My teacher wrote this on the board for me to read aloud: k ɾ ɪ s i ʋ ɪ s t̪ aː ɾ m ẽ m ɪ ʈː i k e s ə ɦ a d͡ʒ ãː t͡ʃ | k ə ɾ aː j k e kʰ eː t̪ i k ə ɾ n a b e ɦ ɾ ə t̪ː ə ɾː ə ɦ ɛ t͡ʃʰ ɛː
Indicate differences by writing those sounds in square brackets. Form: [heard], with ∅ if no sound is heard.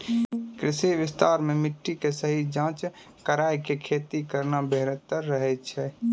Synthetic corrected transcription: k ɾ ɪ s i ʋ ɪ s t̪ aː ɾ m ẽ m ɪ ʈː i k e s ə ɦ [i] d͡ʒ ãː t͡ʃ | k ə ɾ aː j k e kʰ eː t̪ i k ə ɾ n a b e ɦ ɾ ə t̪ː ə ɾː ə ɦ ɛ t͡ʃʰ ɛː